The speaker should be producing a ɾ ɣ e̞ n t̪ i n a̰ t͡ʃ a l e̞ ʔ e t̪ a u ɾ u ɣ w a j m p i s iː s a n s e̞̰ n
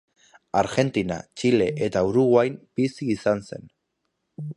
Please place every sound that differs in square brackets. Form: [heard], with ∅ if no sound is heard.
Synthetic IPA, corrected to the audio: a ɾ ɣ e̞ n t̪ i n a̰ t͡ʃ [i] l e̞ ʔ e t̪ a u ɾ u ɣ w a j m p i s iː s a n s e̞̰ n

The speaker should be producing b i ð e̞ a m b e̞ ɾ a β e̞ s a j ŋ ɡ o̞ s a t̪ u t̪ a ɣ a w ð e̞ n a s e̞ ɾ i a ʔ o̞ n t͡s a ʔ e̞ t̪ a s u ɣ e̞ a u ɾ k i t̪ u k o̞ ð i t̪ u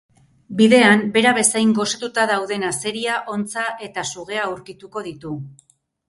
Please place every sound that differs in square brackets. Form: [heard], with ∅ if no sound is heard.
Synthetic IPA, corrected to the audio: b i ð e̞ a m b e̞ ɾ a β e̞ s a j ŋ ɡ o̞ s a t̪ u t̪ a [ð] a w ð e̞ n a s e̞ ɾ i a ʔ o̞ n t͡s a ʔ e̞ t̪ a s u ɣ e̞ a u ɾ k i t̪ u k o̞ ð i t̪ u

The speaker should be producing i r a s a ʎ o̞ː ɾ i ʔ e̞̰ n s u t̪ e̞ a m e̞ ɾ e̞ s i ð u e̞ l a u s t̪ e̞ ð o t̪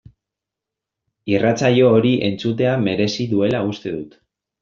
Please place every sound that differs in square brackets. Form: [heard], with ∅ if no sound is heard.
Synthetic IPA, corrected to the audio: i r a [t͡s] a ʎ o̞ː ɾ i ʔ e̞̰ n [t͡s] u t̪ e̞ a m e̞ ɾ e̞ s i ð u e̞ l a u s t̪ e̞ ð [u] t̪

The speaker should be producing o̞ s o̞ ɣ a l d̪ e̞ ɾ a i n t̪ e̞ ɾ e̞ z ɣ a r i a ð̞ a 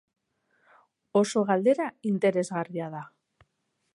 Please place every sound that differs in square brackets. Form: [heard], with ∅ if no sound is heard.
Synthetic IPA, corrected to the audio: o̞ s o̞ ɣ a l d̪ e̞ ɾ a i n t̪ e̞ ɾ e̞ z ɣ a r i a ð̞ a

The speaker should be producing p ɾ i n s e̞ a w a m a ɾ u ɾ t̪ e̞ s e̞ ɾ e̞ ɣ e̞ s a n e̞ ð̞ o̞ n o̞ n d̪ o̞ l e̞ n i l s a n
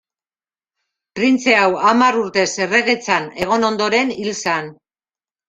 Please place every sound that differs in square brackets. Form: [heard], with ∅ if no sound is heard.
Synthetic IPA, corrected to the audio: p ɾ i n [t͡s] e̞ a w a m a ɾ u ɾ t̪ e̞ s e̞ [r] e̞ ɣ e̞ [t͡s] a n e̞ [ɣ̞] o̞ n o̞ n d̪ o̞ [ɾ] e̞ n i l s a n

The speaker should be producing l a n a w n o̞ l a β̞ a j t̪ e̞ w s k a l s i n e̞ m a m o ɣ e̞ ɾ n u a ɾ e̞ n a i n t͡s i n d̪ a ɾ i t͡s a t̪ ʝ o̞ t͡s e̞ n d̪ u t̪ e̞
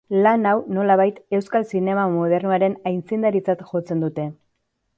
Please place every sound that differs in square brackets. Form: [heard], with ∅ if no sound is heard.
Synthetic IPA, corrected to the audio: l a n a w n o̞ l a β̞ a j t̪ e̞ w s k a l s i n e̞ m a m o [ð] e̞ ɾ n u a ɾ e̞ n a [j] n t͡s i n d̪ a ɾ i t͡s a t̪ ʝ o̞ t͡s e̞ n d̪ u t̪ e̞

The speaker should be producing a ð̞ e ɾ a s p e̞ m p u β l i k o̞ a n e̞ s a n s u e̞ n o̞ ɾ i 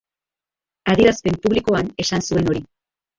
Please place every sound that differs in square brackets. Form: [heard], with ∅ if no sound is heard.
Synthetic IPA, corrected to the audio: a ð̞ [i] ɾ a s p e̞ m p u β l i k o̞ a n e̞ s a n s u e̞ n o̞ ɾ i

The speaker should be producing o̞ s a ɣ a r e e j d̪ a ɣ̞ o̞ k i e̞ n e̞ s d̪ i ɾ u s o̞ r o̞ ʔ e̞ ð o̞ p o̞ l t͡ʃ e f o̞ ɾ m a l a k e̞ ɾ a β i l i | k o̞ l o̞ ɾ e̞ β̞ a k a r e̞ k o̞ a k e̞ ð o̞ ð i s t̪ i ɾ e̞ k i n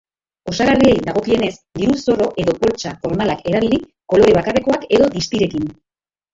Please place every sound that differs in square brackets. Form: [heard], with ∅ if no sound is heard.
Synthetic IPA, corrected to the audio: o̞ s a ɣ a r [i] e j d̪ a ɣ̞ o̞ k i e̞ n e̞ s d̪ i ɾ u s o̞ r o̞ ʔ e̞ ð o̞ p o̞ l t͡ʃ [a] f o̞ ɾ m a l a k e̞ ɾ a β i l i | k o̞ l o̞ ɾ e̞ β̞ a k a r e̞ k o̞ a k e̞ ð o̞ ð i s t̪ i ɾ e̞ k i n

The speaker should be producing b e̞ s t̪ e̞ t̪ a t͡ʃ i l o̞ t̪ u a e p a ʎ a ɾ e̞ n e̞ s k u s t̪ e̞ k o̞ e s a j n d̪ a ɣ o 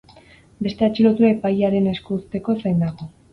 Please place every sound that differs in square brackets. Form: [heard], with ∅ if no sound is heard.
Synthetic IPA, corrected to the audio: b e̞ s t̪ e̞ [∅] a t͡ʃ i l o̞ t̪ u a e p a [j] a ɾ e̞ n e̞ s k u s t̪ e̞ k o̞ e s a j n d̪ a ɣ o

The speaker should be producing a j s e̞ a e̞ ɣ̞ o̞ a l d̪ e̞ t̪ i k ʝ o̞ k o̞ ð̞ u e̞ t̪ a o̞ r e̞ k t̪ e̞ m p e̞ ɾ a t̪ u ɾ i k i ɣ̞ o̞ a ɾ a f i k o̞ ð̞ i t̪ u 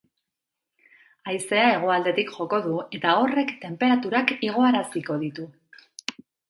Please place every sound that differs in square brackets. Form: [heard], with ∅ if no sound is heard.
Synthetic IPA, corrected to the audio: a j s e̞ a e̞ ɣ̞ o̞ a l d̪ e̞ t̪ i k ʝ o̞ k o̞ ð̞ u e̞ t̪ a o̞ r e̞ k t̪ e̞ m p e̞ ɾ a t̪ u ɾ [a] k i ɣ̞ o̞ a ɾ a [s] i k o̞ ð̞ i t̪ u

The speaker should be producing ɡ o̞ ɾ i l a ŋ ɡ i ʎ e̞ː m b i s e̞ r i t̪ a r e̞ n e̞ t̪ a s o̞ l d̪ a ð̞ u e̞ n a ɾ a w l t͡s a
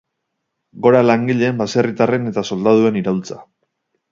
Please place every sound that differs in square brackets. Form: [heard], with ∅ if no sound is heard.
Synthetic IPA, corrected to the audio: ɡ o̞ ɾ [a] l a ŋ ɡ i ʎ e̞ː m b [a] s e̞ r i t̪ a r e̞ n e̞ t̪ a s o̞ l d̪ a ð̞ u e̞ n [i] ɾ a w l t͡s a

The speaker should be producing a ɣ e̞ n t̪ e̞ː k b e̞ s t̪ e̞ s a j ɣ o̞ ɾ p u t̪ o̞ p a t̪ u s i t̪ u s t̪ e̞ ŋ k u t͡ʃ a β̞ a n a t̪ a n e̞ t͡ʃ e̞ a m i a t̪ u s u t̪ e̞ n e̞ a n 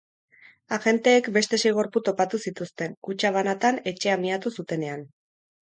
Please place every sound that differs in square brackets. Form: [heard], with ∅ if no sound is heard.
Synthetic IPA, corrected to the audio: a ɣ e̞ n t̪ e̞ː k b e̞ s t̪ e̞ s [e] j ɣ o̞ ɾ p u t̪ o̞ p a t̪ u s i t̪ u s t̪ e̞ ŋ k u t͡ʃ a β̞ a n a t̪ a n e̞ t͡ʃ e̞ a m i a t̪ u s u t̪ e̞ n e̞ a n

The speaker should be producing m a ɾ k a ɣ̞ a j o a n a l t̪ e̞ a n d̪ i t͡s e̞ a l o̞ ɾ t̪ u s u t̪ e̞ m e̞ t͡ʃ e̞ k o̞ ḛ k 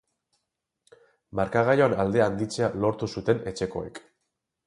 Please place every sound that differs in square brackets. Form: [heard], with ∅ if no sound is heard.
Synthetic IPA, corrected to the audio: m a ɾ k a ɣ̞ a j o a n a l [d̪] e̞ a n d̪ i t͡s e̞ a l o̞ ɾ t̪ u s u t̪ e̞ [n] e̞ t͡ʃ e̞ k o̞ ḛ k

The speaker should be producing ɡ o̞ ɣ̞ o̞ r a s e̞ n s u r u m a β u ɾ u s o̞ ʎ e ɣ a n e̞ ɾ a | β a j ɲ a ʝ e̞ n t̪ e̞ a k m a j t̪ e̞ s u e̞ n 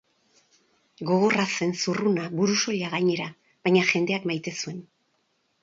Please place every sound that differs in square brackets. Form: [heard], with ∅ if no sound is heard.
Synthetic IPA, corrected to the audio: ɡ o̞ ɣ̞ o̞ r a s e̞ n s u r u [n] a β u ɾ u s o̞ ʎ [a] ɣ a [ɲ] e̞ ɾ a | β a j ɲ a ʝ e̞ n [d̪] e̞ a k m a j t̪ e̞ s u e̞ n

